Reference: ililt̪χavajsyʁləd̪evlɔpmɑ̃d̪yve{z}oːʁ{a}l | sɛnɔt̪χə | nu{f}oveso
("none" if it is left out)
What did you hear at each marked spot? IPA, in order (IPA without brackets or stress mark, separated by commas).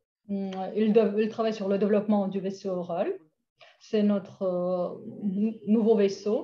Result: s, a, v